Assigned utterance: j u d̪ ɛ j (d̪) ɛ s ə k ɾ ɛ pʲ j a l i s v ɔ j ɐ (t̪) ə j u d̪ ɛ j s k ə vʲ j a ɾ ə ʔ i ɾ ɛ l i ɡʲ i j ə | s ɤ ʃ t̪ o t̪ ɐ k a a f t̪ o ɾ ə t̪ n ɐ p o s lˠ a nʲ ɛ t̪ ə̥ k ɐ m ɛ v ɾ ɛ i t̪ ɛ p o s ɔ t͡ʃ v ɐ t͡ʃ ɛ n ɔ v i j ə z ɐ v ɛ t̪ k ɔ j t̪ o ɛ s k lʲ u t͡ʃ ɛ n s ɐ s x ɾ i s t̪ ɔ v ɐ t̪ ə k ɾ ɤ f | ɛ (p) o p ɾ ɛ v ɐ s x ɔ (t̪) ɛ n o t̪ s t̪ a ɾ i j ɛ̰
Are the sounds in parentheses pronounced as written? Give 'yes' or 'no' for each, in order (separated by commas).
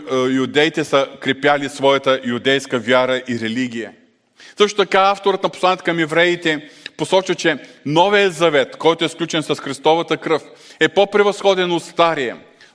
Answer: no, yes, yes, no